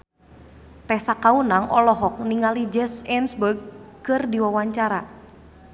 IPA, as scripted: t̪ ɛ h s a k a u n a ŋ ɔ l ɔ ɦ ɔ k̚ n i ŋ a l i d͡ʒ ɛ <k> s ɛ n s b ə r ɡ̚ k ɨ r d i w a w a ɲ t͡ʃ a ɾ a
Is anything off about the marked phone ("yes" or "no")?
yes